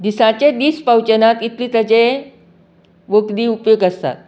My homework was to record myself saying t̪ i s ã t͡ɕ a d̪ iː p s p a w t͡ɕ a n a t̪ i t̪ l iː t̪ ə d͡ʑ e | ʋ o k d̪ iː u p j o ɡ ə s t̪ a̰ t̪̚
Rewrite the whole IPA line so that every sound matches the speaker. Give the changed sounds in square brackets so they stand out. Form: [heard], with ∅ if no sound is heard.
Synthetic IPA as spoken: [d̪] i s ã t͡ɕ [e] d̪ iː [∅] s p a w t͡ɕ [ə] n a t̪ i t̪ l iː t̪ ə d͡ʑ e | ʋ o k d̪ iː u p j o ɡ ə s t̪ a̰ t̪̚